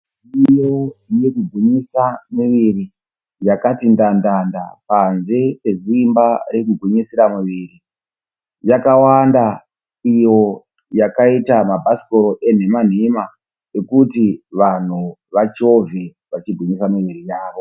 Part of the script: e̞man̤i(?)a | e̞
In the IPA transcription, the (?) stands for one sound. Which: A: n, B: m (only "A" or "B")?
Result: B